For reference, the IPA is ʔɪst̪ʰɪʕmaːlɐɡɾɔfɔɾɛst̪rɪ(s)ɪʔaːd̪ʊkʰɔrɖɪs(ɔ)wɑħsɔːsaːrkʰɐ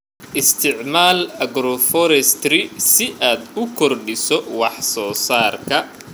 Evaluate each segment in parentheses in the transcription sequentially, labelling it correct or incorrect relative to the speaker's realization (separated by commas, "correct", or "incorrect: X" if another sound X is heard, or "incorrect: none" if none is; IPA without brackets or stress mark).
correct, correct